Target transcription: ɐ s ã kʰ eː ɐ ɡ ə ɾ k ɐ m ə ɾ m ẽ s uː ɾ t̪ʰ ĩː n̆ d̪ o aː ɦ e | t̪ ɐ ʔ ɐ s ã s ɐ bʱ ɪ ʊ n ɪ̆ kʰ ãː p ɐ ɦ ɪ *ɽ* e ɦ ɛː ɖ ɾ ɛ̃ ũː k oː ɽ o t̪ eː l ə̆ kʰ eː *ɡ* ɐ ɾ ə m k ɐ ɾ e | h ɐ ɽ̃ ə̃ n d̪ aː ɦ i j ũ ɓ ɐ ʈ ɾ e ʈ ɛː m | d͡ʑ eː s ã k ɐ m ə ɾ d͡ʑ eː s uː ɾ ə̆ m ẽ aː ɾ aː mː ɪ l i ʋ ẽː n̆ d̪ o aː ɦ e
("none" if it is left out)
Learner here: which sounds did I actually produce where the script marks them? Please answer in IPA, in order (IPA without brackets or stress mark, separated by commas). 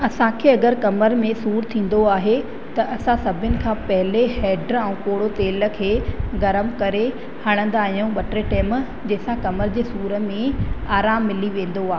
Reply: l, ɡ